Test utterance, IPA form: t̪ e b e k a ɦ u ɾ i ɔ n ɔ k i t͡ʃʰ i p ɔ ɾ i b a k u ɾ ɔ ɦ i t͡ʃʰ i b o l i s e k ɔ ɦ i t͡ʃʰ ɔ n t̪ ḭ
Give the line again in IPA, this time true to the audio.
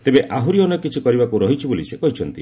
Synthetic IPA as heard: t̪ e b e ʔ a ɦ u ɾ i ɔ n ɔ k i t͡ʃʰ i k ɔ ɾ i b a k u ɾ ɔ ɦ i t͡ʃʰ i b o l i s e k ɔ ɦ i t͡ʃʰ ɔ n t̪ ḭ

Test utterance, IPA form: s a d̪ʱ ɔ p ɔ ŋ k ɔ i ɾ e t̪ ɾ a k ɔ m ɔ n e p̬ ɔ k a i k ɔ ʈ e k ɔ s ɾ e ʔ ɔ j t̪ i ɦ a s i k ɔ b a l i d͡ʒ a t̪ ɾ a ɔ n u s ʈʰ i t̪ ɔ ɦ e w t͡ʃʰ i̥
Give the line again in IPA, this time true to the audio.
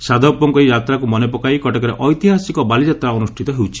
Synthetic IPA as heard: s a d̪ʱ ɔ p ɔ ŋ k ɔ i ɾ a t̪ ɾ a k u m ɔ n e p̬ ɔ k a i k ɔ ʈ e k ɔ ɾ e ʔ ɔ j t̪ i ɦ a s i k ɔ b a l i d͡ʒ a t̪ ɾ a ɔ n u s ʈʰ i t̪ ɔ ɦ e w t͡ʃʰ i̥

